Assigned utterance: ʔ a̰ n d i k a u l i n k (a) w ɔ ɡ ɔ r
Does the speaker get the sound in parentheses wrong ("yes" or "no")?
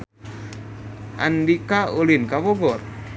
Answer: no